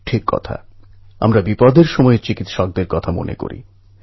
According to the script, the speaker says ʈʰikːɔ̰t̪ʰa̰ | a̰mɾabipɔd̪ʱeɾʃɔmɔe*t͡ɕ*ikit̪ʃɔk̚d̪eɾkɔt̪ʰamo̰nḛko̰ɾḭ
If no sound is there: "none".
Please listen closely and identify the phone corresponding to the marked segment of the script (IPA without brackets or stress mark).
t͡ɕ